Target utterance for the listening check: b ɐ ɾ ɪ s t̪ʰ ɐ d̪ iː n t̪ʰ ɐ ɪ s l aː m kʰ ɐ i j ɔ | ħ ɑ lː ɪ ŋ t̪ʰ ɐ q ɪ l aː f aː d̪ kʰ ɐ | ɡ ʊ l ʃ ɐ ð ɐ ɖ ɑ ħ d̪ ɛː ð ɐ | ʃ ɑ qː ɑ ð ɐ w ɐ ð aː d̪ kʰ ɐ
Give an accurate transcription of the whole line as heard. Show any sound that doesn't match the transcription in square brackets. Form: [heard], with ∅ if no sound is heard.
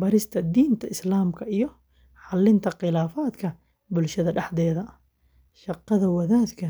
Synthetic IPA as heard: b ɐ ɾ ɪ s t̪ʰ ɐ d̪ iː n t̪ʰ ɐ ɪ s l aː m kʰ ɐ i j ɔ | ħ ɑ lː ɪ [n] t̪ʰ ɐ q ɪ l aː f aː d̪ kʰ ɐ | [b] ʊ l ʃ ɐ ð ɐ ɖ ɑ ħ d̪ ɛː ð ɐ | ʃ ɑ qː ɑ ð ɐ w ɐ ð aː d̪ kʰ ɐ